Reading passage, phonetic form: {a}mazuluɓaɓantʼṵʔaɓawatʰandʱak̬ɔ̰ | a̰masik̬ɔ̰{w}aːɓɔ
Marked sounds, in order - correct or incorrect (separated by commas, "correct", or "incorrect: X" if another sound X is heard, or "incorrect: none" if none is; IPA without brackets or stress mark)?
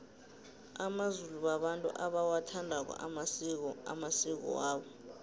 correct, correct